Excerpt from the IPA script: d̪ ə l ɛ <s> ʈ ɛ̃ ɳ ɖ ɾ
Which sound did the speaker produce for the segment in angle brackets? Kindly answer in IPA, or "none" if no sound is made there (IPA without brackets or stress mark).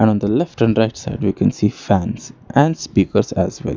f